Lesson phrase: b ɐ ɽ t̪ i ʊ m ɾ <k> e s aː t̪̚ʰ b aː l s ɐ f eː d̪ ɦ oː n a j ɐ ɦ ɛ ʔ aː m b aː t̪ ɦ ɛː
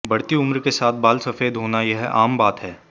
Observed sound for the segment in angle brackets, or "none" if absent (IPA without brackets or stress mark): k